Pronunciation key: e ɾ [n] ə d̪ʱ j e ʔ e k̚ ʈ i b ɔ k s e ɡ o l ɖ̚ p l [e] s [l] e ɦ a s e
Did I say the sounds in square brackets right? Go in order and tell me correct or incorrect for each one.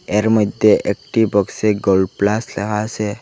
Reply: incorrect, incorrect, correct

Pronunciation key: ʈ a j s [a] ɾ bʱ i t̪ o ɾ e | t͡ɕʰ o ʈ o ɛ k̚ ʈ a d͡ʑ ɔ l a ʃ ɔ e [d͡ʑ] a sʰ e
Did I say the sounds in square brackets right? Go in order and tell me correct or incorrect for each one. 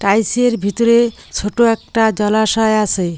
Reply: incorrect, incorrect

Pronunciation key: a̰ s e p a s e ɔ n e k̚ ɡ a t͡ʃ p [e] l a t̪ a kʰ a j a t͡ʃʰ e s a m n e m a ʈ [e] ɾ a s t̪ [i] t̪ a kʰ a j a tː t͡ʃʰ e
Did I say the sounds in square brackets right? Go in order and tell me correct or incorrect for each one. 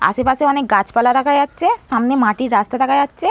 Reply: incorrect, incorrect, incorrect

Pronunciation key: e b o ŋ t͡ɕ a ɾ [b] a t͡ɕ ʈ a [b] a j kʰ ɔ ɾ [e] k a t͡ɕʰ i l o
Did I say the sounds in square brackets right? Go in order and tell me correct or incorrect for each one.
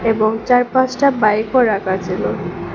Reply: incorrect, correct, incorrect

